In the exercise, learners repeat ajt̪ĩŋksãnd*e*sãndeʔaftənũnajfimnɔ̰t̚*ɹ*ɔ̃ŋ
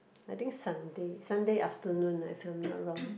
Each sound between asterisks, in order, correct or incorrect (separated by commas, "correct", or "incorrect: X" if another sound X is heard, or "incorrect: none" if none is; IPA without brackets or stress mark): correct, correct